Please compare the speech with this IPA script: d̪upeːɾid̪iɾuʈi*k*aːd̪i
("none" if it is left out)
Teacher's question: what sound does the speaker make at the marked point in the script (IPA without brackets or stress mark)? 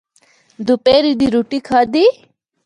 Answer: kʰ